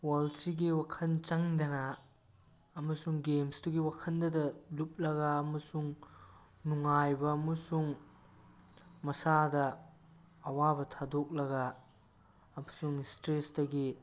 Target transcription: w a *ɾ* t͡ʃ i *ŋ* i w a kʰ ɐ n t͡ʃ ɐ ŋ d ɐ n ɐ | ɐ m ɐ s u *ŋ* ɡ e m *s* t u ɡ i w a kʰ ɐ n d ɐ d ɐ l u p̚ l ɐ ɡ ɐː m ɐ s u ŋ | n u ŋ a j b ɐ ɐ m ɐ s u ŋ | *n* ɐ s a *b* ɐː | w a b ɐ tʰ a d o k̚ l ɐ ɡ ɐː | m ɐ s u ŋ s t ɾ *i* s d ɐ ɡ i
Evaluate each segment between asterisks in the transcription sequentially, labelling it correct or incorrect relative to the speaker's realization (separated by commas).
incorrect, incorrect, correct, correct, incorrect, incorrect, incorrect